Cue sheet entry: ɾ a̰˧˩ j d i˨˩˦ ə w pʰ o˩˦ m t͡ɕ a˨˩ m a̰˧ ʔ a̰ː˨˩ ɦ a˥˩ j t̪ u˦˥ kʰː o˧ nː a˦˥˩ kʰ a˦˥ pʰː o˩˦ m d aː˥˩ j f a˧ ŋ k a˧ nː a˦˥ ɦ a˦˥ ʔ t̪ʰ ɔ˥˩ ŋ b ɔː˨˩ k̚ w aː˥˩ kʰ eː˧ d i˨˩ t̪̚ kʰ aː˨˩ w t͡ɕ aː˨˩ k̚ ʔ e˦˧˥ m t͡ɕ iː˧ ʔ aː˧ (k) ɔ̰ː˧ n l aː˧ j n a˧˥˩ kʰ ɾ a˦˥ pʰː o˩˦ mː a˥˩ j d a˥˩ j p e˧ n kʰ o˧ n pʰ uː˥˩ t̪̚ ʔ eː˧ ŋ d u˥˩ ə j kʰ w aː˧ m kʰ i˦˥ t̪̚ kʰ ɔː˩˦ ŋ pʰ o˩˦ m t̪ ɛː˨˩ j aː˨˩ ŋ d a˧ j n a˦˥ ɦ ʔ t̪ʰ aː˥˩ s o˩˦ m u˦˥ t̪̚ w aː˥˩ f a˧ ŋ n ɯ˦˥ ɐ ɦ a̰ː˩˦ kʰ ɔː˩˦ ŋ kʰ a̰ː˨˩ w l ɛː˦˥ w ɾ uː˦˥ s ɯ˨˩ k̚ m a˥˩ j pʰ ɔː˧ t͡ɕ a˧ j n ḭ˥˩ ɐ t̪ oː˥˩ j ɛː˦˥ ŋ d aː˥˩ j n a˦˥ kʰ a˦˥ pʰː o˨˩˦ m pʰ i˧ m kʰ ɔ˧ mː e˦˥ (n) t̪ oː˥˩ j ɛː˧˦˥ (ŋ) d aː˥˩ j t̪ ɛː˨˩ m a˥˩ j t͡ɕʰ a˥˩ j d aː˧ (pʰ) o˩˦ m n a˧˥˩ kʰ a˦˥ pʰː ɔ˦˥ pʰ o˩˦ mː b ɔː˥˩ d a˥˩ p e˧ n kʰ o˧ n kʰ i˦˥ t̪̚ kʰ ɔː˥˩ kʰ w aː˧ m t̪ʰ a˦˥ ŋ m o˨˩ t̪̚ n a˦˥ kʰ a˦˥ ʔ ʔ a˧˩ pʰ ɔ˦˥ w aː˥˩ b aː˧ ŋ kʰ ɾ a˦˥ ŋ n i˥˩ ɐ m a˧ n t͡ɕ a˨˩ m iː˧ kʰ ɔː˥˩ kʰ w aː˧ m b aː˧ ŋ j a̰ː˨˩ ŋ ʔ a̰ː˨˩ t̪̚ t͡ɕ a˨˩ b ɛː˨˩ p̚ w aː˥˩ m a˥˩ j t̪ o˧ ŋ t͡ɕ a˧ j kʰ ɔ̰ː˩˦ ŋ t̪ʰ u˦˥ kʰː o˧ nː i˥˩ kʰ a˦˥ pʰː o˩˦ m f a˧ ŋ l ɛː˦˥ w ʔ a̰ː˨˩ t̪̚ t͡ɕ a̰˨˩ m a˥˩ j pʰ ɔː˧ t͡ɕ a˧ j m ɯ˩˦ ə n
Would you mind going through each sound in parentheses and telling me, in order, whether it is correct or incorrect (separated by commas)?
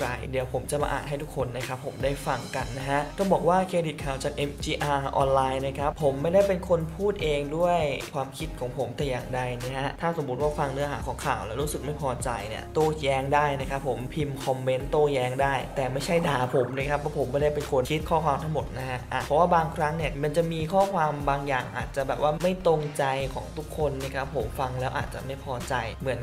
incorrect, correct, correct, correct